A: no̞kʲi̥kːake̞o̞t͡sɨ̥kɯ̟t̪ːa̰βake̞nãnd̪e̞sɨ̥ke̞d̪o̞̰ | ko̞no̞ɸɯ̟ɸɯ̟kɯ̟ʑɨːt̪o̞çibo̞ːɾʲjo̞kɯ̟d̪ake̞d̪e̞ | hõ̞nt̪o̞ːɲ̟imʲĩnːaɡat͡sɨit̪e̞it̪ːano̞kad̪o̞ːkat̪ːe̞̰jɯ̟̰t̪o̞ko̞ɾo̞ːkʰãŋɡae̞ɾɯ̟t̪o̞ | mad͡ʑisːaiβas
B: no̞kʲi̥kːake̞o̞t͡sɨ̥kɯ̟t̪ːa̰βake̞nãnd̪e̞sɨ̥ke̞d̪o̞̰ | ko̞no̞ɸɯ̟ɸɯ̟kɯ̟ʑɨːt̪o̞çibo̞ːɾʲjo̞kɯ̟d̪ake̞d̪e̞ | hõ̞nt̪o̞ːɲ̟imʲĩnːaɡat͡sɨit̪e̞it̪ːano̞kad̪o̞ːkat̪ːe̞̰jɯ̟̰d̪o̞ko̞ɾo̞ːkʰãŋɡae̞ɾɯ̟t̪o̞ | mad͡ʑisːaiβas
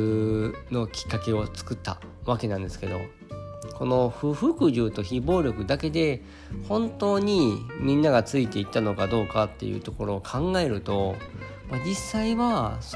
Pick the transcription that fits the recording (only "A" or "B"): A